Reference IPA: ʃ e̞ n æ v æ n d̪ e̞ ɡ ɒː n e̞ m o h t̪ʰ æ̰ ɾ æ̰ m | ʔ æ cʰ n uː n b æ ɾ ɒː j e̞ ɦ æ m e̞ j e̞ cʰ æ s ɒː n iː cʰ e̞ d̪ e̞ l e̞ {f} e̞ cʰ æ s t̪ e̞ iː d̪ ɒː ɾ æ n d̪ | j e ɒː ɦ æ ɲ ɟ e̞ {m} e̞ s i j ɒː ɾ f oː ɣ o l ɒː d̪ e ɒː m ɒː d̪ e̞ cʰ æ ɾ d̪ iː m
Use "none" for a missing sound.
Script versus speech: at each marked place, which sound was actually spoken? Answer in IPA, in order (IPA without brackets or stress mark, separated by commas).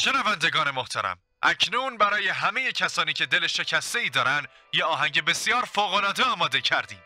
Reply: ʃ, b